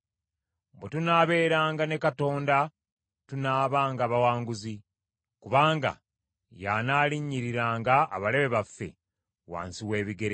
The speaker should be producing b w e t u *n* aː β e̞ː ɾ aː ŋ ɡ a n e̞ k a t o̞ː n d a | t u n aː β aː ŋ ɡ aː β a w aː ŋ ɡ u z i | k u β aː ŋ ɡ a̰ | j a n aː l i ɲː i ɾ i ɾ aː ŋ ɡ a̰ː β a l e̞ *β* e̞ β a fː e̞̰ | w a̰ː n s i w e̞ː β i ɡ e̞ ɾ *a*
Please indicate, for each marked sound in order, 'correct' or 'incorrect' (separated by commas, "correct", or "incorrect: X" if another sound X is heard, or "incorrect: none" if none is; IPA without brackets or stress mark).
correct, correct, incorrect: e